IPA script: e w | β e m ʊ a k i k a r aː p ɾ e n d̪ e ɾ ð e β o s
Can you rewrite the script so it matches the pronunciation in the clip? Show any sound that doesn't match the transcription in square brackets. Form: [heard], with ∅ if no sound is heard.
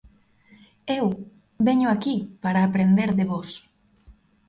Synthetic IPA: e w | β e [ɲ] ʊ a k i [p] a [ɾ] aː p ɾ e n d̪ e ɾ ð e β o s

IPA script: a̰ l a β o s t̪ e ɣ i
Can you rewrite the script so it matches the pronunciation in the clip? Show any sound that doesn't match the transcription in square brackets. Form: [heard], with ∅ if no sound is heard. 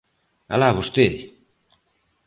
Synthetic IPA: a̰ l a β o s t̪ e [ð] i

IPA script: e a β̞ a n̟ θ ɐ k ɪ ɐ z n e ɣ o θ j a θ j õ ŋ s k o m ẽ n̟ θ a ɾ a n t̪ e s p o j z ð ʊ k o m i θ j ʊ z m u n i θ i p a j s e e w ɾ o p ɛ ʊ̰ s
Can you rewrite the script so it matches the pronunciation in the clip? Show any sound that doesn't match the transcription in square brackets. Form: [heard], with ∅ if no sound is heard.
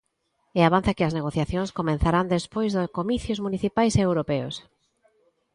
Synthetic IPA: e a β̞ a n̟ θ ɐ k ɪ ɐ z n e ɣ o θ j a θ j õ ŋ s k o m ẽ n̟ θ a ɾ a n [d̪] e s p o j z ð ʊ k o m i θ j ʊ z m u n i θ i p a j s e e w ɾ o p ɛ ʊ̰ s

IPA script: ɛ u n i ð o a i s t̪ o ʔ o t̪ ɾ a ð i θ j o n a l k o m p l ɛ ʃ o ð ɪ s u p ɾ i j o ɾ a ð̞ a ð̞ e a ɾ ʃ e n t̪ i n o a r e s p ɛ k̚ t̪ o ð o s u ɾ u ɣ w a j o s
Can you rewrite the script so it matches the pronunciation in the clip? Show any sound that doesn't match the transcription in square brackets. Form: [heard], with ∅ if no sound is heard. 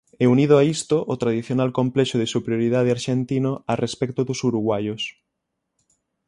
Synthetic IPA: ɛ u n i ð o a i s t̪ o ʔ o t̪ ɾ a ð i θ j o n a l k o m p l ɛ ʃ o ð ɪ s u p ɾ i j o ɾ [i] ð̞ a ð̞ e a ɾ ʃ e n t̪ i n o a r e s p ɛ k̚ t̪ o ð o s u ɾ u ɣ w a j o s

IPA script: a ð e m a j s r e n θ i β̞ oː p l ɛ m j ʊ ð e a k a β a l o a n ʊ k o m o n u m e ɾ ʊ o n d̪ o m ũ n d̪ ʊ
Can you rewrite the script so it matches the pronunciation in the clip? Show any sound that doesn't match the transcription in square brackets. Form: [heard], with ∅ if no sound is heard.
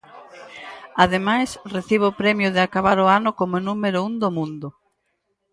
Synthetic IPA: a ð e m a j s r e [∅] θ i β̞ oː p [ɾ] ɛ m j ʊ ð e a k a β a [ɾ] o a n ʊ k o m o n u m e ɾ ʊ [u] n d̪ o m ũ n d̪ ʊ

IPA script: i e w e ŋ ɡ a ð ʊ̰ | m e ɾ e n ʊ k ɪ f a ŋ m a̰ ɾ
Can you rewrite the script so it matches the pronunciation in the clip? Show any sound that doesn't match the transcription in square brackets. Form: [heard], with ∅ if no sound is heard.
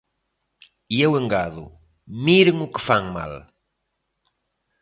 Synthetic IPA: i e w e ŋ ɡ a ð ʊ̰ | m [i] ɾ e [ŋ] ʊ k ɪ f a ŋ m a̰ [l]

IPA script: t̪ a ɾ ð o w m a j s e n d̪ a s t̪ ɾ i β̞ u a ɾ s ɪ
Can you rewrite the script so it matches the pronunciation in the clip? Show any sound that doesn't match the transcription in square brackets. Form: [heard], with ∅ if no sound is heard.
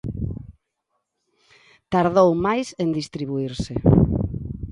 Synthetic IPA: t̪ a ɾ ð o w m a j s e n d̪ [i] s t̪ ɾ i β̞ u [i] ɾ s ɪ

